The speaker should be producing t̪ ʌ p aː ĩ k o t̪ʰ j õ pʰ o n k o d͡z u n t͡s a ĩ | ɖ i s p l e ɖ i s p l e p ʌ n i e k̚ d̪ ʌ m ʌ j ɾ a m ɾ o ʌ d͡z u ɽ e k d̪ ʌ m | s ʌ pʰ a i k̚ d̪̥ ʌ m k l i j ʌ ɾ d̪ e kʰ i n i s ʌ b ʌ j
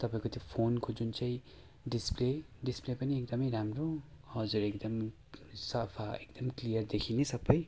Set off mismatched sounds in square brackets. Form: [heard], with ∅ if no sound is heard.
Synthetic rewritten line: t̪ ʌ p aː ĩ k o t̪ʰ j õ pʰ o n k o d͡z u n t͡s a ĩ | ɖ i s p l e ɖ i s p l e p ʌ n i e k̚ d̪ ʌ m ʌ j ɾ a m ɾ o ʌ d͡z u [ɾ] e k d̪ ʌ m | s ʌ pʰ a [e] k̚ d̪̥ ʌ m k l i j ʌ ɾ d̪ e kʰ i n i s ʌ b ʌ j